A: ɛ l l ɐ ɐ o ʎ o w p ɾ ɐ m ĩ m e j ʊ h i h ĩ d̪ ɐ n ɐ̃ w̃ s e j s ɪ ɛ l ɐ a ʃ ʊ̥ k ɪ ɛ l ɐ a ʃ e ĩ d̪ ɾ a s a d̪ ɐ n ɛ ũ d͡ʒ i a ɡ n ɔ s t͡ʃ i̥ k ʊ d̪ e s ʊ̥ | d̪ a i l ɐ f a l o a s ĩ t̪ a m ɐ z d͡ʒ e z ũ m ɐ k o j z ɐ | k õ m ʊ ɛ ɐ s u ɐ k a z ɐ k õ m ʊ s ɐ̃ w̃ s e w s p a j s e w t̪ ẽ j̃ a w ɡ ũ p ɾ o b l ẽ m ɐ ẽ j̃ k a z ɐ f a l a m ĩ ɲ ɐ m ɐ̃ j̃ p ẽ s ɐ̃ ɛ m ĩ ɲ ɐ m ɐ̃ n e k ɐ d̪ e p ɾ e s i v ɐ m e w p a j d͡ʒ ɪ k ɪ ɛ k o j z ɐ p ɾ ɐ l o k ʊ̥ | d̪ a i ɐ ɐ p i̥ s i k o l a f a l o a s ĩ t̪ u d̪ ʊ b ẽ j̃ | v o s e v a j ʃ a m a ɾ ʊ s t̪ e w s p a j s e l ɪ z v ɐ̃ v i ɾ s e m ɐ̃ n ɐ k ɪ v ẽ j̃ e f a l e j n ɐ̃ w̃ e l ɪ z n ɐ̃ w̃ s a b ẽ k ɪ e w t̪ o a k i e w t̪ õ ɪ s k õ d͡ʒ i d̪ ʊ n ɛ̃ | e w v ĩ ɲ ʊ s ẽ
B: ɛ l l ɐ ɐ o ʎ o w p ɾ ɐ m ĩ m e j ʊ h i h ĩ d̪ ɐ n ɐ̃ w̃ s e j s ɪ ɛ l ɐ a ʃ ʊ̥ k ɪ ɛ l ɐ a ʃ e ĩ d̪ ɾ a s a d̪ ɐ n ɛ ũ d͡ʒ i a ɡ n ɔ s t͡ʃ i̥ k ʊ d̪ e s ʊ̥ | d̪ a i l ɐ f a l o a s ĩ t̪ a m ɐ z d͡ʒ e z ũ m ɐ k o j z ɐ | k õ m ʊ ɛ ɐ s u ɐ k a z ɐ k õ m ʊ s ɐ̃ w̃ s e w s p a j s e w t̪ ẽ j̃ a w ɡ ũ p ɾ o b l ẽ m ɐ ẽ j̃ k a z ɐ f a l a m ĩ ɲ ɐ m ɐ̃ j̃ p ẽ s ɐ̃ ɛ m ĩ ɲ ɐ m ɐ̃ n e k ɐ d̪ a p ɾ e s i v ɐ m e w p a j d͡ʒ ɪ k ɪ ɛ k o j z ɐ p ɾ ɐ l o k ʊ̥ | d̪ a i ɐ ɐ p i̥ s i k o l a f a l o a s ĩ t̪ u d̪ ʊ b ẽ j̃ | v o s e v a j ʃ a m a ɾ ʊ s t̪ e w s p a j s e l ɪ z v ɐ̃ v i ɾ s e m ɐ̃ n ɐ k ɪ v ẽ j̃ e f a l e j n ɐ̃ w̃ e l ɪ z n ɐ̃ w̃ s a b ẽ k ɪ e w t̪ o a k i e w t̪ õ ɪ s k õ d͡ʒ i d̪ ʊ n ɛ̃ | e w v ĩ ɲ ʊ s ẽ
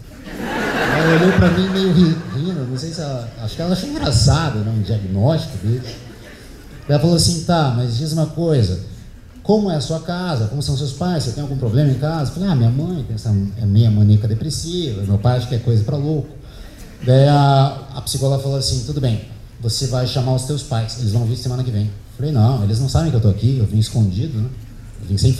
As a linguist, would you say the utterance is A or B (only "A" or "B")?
A